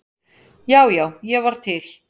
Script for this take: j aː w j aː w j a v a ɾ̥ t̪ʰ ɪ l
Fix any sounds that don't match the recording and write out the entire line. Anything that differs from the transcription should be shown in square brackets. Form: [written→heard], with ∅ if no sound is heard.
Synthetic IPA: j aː w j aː w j [a→ɛ] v a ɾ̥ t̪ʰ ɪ l